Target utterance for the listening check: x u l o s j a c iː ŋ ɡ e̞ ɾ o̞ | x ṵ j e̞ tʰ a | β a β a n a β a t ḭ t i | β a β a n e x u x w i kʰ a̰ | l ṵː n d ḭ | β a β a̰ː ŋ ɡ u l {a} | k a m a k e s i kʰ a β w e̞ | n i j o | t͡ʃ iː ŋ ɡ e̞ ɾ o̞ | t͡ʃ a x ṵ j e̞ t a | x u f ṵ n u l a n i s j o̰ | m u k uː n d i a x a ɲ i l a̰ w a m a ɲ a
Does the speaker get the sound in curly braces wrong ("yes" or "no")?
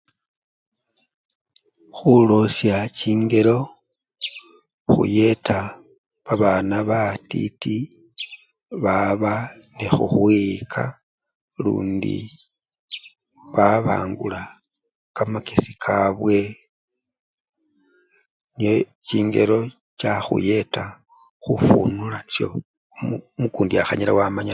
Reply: no